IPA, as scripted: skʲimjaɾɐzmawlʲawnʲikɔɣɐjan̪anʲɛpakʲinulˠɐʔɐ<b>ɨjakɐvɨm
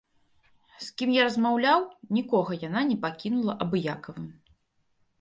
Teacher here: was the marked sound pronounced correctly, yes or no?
yes